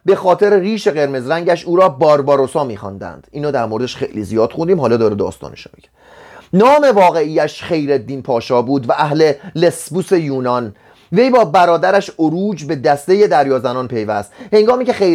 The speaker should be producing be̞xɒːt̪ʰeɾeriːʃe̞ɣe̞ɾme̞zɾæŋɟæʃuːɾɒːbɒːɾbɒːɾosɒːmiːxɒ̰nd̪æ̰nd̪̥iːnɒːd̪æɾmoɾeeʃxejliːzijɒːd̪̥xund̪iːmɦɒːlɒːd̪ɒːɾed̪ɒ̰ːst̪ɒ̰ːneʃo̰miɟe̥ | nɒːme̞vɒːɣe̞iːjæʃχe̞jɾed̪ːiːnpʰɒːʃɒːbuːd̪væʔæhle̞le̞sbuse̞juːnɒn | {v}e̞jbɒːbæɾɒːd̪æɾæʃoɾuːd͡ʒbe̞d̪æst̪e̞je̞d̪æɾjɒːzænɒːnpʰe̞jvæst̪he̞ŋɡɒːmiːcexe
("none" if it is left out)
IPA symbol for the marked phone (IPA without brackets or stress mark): v